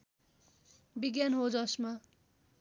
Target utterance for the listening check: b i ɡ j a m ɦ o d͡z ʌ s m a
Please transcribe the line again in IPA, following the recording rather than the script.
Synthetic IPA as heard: b i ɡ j a n ɦ o d͡z ʌ s m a